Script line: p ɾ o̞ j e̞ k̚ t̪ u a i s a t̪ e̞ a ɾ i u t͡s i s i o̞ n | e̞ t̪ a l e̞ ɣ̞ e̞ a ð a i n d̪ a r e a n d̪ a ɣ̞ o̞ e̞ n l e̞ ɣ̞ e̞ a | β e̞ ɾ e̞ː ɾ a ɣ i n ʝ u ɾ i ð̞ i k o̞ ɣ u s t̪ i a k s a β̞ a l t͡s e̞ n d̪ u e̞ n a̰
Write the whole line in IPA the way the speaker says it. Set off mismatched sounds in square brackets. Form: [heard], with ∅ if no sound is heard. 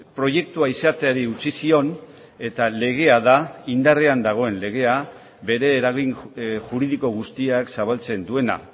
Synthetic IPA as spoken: p ɾ o̞ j e̞ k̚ t̪ u a i s a t̪ e̞ a ɾ i u t͡s i s i o̞ n | e̞ t̪ a l e̞ ɣ̞ e̞ a ð a i n d̪ a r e a n d̪ a ɣ̞ o̞ e̞ n l e̞ ɣ̞ e̞ a | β e̞ ɾ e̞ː ɾ a ɣ i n ʝ u ɾ i ð̞ i k o̞ ɣ u s t̪ i a k s a β̞ a l t͡s e̞ n d̪ u e̞ n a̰

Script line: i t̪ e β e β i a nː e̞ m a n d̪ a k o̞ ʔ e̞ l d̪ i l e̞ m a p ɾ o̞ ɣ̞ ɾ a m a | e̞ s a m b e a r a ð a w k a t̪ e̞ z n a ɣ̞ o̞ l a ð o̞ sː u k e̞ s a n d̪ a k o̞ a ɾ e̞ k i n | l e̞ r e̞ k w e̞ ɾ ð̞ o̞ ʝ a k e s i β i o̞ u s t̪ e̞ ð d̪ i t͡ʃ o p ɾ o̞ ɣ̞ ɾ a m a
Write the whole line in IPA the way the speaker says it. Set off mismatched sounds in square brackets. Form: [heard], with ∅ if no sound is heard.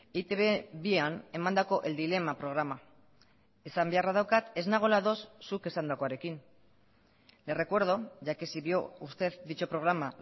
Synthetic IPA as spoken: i t̪ e β e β i a [n] e̞ m a n d̪ a k o̞ ʔ e̞ l d̪ i l e̞ m a p ɾ o̞ ɣ̞ ɾ a m a | e̞ s a m b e a r a ð a w k a t̪ e̞ z n a ɣ̞ o̞ l a ð o̞ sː u k e̞ s a n d̪ a k o̞ a ɾ e̞ k i n | l e̞ r e̞ k w e̞ ɾ ð̞ o̞ ʝ a k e s i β i o̞ u s t̪ e̞ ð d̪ i t͡ʃ o p ɾ o̞ ɣ̞ ɾ a m a

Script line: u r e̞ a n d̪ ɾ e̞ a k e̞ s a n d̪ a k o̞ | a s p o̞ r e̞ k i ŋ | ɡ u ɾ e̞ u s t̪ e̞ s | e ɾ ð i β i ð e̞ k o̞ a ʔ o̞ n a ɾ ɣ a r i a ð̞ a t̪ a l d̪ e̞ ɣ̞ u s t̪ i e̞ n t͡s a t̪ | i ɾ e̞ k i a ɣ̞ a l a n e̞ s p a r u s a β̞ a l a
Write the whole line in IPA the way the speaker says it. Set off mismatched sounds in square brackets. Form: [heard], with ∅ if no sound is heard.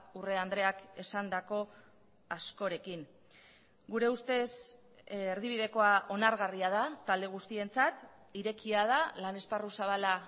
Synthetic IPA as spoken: u r e̞ a n d̪ ɾ e̞ a k e̞ s a n d̪ a k o̞ | a s [k] o̞ [ɾ] e̞ k i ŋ | ɡ u ɾ e̞ u s t̪ e̞ s | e ɾ ð i β i ð e̞ k o̞ a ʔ o̞ n a ɾ ɣ a r i a ð̞ a t̪ a l d̪ e̞ ɣ̞ u s t̪ i e̞ n t͡s a t̪ | i ɾ e̞ k i a [ð̞] a l a n e̞ s p a r u s a β̞ a l a

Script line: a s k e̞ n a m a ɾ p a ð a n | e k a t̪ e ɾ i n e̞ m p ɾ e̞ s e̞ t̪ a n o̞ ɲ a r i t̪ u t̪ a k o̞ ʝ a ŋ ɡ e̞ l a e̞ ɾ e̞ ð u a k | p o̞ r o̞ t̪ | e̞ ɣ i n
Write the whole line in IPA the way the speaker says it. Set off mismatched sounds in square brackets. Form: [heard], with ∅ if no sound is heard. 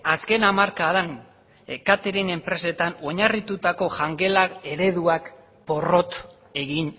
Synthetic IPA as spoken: a s k e̞ n a m a ɾ [k] a ð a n | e k a t̪ e ɾ i n e̞ m p ɾ e̞ s e̞ t̪ a n o̞ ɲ a r i t̪ u t̪ a k o̞ ʝ a ŋ ɡ e̞ l a e̞ ɾ e̞ ð u a k | p o̞ r o̞ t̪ | e̞ ɣ i n

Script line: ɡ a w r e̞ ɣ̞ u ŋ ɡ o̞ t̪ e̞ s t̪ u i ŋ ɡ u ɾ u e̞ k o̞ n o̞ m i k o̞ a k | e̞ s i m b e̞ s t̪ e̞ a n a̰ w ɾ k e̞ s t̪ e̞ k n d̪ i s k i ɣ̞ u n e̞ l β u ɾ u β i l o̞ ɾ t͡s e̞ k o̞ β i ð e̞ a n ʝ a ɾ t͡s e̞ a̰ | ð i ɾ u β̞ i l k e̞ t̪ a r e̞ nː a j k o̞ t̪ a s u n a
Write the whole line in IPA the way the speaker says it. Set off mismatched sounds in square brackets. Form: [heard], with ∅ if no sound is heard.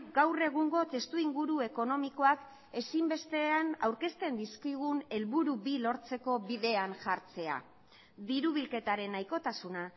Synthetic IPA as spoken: ɡ a w r e̞ ɣ̞ u ŋ ɡ o̞ t̪ e̞ s t̪ u i ŋ ɡ u ɾ u e̞ k o̞ n o̞ m i k o̞ a k | e̞ s i m b e̞ s t̪ e̞ a n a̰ w ɾ k e̞ s t̪ e̞ [∅] n d̪ i s k i ɣ̞ u n e̞ l β u ɾ u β i l o̞ ɾ t͡s e̞ k o̞ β i ð e̞ a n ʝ a ɾ t͡s e̞ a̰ | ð i ɾ u β̞ i l k e̞ t̪ a [ɾ] e̞ [n] a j k o̞ t̪ a s u n a

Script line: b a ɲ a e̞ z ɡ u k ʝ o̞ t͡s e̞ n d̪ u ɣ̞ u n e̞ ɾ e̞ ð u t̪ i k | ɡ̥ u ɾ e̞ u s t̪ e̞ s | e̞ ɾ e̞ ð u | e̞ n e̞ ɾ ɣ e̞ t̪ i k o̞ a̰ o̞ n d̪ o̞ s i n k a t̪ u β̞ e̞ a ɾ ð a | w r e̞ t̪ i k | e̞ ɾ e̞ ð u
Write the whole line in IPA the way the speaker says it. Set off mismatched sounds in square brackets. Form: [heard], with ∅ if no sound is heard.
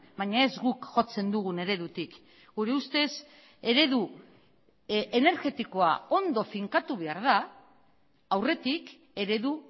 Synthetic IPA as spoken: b a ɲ a e̞ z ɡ u k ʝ o̞ t͡s e̞ n d̪ u ɣ̞ u n e̞ ɾ e̞ ð u t̪ i k | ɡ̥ u ɾ e̞ u s t̪ e̞ s | e̞ ɾ e̞ ð u | e̞ n e̞ ɾ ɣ e̞ t̪ i k o̞ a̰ o̞ n d̪ o̞ [f] i [ŋ] k a t̪ u β̞ e̞ a ɾ ð a | w r e̞ t̪ i k | e̞ ɾ e̞ ð u

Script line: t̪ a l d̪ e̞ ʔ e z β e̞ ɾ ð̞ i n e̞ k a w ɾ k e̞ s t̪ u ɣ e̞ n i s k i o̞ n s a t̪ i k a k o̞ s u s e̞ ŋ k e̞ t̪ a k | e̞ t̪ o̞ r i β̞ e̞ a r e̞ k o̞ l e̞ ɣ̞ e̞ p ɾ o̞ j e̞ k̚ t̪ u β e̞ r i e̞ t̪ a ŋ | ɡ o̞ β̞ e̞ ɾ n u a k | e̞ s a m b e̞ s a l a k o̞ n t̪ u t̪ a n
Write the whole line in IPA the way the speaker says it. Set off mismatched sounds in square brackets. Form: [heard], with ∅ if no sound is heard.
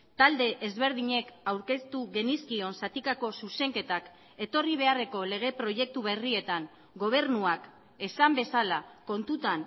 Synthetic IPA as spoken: t̪ a l d̪ e̞ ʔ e z β e̞ ɾ ð̞ i [ɲ] e̞ k a w ɾ k e̞ s t̪ u ɣ e̞ n i s k i o̞ n s a t̪ i k a k o̞ s u s e̞ ŋ k e̞ t̪ a k | e̞ t̪ o̞ r i β̞ e̞ a r e̞ k o̞ l e̞ ɣ̞ e̞ p ɾ o̞ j e̞ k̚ t̪ u β e̞ r i e̞ t̪ a ŋ | ɡ o̞ β̞ e̞ ɾ n u a k | e̞ s a m b e̞ s a l a k o̞ n t̪ u t̪ a n

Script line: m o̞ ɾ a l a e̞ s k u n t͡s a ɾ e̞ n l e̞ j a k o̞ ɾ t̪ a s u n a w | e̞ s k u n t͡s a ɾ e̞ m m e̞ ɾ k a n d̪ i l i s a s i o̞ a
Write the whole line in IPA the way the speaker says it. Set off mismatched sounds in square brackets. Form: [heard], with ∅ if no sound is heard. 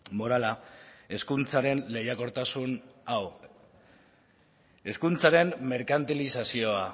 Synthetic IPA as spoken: m o̞ ɾ a l a e̞ s k u n t͡s a ɾ e̞ n l e̞ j a k o̞ ɾ t̪ a s u n a w | e̞ s k u n t͡s a ɾ e̞ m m e̞ ɾ k a n [t̪] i l i s a s i o̞ a

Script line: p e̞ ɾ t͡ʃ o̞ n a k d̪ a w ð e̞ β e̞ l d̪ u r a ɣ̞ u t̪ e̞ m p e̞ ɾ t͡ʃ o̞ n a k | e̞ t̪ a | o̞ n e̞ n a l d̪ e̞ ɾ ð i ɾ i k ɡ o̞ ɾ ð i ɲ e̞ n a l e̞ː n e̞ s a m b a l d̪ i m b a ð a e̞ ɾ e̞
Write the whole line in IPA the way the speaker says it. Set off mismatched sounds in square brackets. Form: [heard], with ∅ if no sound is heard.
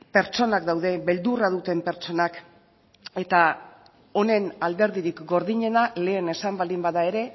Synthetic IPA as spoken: p e̞ ɾ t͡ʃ o̞ n a k d̪ a w ð e̞ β e̞ l d̪ u r a [ð̞] u t̪ e̞ m p e̞ ɾ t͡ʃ o̞ n a k | e̞ t̪ a | o̞ n e̞ n a l d̪ e̞ ɾ ð i ɾ i k ɡ o̞ ɾ ð i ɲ e̞ n a l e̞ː n e̞ s a m b a l d̪ i m b a ð a e̞ ɾ e̞

